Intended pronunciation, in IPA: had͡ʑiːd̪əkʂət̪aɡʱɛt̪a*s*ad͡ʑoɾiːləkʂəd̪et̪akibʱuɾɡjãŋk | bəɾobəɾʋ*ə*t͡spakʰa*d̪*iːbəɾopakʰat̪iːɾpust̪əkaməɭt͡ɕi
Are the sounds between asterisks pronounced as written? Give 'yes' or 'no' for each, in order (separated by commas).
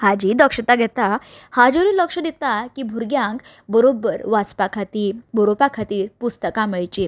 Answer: no, no, no